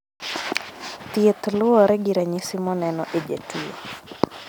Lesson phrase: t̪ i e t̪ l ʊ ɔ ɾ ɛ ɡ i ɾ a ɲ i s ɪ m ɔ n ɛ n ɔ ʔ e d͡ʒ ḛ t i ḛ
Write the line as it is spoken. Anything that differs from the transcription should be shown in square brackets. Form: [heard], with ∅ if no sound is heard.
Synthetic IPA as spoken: t̪ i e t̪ l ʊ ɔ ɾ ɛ ɡ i ɾ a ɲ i s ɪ m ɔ n ɛ n ɔ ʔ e d͡ʒ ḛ t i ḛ

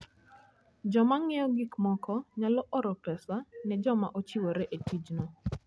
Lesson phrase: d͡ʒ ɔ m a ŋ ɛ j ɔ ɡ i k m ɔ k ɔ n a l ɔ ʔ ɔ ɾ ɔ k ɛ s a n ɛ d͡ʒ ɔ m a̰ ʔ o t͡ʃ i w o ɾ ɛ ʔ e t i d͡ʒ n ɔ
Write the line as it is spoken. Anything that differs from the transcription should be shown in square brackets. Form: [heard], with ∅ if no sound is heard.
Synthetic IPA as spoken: d͡ʒ ɔ m a ŋ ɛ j ɔ ɡ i k m ɔ k ɔ [ɲ] a l ɔ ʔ ɔ ɾ ɔ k ɛ s a n ɛ d͡ʒ ɔ m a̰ ʔ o t͡ʃ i w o ɾ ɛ ʔ e t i d͡ʒ n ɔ

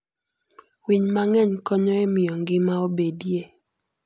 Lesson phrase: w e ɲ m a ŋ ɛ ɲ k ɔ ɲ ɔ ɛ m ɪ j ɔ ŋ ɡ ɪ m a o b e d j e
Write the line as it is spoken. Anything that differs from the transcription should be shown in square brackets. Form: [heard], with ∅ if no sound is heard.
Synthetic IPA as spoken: w [i] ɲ m a ŋ ɛ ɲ k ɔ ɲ ɔ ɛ m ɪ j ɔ ŋ ɡ ɪ m a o b e d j e

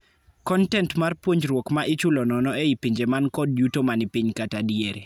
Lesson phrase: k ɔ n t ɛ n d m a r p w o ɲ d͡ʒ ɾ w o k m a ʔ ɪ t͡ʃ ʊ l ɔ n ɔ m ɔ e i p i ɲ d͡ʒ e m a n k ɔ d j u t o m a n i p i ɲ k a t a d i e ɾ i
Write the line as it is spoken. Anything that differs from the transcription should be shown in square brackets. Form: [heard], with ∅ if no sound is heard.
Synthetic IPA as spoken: k ɔ n t ɛ n [t] m a r p w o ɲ d͡ʒ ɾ w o k m a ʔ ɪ t͡ʃ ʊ l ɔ n ɔ [n] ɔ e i p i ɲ d͡ʒ e m a n k ɔ d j u t o m a n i p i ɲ k a t a d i e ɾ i

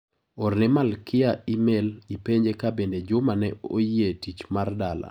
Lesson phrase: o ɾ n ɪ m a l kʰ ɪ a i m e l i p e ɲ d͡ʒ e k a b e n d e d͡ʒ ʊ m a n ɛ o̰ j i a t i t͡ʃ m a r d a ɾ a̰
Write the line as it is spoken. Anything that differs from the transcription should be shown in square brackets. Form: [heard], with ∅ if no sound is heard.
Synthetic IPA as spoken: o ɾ n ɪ m a l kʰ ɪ a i m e l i p e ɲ d͡ʒ e k a b e n d e d͡ʒ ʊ m a n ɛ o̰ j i [e] t i t͡ʃ m a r d a [l] a̰

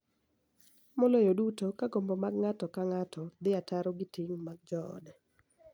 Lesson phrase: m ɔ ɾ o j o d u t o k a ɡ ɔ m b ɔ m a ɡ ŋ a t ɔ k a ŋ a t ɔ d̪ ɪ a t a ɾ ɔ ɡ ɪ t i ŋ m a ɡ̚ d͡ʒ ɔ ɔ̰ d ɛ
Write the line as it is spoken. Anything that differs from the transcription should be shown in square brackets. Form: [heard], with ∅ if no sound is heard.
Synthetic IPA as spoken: m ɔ [l] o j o d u t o k a ɡ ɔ m b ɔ m a ɡ ŋ a t ɔ k a ŋ a t ɔ d̪ ɪ a t a ɾ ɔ ɡ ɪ t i ŋ m a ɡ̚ d͡ʒ ɔ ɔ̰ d ɛ

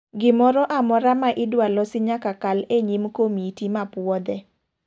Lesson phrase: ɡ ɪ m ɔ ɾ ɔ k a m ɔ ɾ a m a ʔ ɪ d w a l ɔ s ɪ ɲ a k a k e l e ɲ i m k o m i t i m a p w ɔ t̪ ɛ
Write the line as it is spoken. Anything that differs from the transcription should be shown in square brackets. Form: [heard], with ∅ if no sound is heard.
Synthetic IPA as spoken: ɡ ɪ m ɔ ɾ ɔ [ʔ] a m ɔ ɾ a m a ʔ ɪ d w a l ɔ s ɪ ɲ a k a k [a] l e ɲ i m k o m i t i m a p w ɔ [d̪] ɛ

